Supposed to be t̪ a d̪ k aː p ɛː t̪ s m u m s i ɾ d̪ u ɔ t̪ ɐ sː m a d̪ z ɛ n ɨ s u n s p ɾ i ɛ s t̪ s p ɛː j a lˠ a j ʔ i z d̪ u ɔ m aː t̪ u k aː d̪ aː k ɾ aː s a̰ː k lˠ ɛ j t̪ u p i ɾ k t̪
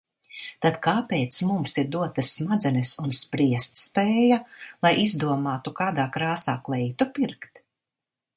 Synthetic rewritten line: t̪ a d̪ k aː p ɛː t̪ s m u m s i ɾ d̪ u ɔ t̪ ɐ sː m a d̪ z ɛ n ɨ s u n s p ɾ i ɛ s t̪ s p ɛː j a lˠ a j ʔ i z d̪ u ɔ m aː t̪ u k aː d̪ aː k ɾ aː s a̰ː k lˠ ɛ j t̪ u p i ɾ k t̪